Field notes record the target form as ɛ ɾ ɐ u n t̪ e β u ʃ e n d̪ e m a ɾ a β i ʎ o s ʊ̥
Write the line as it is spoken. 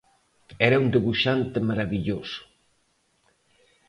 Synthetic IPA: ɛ ɾ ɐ u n d̪ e β u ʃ a n t̪ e m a ɾ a β i ʎ o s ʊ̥